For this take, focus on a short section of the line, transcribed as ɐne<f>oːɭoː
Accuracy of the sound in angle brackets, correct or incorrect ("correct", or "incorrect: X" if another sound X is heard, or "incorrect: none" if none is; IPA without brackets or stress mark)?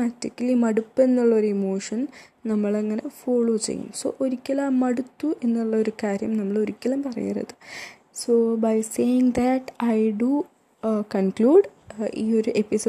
correct